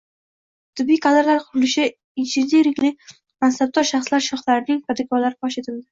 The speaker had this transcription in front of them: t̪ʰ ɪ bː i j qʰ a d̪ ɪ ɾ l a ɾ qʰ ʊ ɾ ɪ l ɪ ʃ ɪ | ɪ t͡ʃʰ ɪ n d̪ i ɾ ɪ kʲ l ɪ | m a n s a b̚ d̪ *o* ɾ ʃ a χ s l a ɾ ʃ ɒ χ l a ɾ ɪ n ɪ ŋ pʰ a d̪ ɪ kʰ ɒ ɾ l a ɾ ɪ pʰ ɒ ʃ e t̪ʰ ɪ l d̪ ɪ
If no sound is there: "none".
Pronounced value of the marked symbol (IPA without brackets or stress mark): ɒ